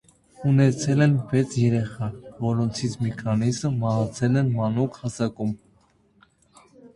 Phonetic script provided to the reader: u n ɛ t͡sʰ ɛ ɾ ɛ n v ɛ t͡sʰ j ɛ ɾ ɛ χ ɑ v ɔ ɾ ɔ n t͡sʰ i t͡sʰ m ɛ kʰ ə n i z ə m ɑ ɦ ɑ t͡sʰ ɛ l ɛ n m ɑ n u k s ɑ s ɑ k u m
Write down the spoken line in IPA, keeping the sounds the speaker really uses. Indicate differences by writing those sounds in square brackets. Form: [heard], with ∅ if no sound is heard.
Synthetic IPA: u n ɛ t͡sʰ ɛ [l] ɛ n v ɛ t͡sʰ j ɛ ɾ ɛ χ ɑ v ɔ ɾ ɔ n t͡sʰ i t͡sʰ m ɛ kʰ [ɑ] n i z ə m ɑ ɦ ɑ t͡sʰ ɛ l ɛ n m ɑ n u k [h] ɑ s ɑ k u m

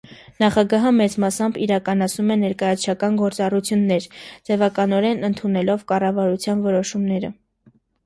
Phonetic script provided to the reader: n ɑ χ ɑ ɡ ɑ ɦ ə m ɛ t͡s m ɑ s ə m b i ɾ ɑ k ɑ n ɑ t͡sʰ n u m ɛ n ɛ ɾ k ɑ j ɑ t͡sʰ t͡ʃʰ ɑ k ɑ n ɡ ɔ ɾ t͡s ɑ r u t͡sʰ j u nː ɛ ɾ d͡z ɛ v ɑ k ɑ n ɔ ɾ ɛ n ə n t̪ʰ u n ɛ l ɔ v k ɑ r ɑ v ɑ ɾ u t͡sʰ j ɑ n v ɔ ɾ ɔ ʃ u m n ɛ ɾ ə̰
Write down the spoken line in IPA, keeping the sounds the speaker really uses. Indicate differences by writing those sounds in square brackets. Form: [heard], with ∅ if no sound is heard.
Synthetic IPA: n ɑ χ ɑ ɡ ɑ ɦ ə m ɛ t͡s m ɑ s [ɑ] m b i ɾ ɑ k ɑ n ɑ t͡sʰ n u m ɛ n ɛ ɾ k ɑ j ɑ t͡sʰ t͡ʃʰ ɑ k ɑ n ɡ ɔ ɾ t͡s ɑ r u t͡sʰ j u nː ɛ ɾ d͡z ɛ v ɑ k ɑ n ɔ ɾ ɛ n ə n t̪ʰ u n ɛ l ɔ v k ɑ r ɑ v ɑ ɾ u t͡sʰ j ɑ n v ɔ ɾ ɔ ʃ u m n ɛ ɾ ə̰

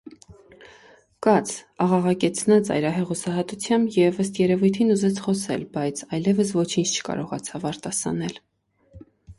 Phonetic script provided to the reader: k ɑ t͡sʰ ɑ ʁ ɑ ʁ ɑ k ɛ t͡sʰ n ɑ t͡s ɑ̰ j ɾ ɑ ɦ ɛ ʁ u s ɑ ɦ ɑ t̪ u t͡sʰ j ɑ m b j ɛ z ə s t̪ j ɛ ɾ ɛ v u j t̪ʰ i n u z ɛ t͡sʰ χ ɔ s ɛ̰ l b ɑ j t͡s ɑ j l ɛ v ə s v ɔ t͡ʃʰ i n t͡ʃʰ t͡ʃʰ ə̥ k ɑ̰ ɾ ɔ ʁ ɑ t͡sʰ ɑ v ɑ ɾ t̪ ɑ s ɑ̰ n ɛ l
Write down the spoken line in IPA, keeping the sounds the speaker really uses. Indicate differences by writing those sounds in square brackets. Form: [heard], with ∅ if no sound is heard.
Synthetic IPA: k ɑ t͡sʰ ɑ ʁ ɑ ʁ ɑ k ɛ t͡sʰ n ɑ t͡s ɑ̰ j ɾ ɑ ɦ ɛ ʁ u s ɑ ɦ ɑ t̪ u t͡sʰ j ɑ m b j ɛ [v] ə s t̪ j ɛ ɾ ɛ v u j t̪ʰ i n u z ɛ t͡sʰ χ ɔ s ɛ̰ l b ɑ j [t͡sʰ] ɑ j l ɛ v ə s v ɔ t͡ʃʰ i n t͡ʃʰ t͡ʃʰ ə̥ k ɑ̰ ɾ ɔ ʁ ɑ t͡sʰ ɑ v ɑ ɾ t̪ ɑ s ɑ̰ n ɛ l

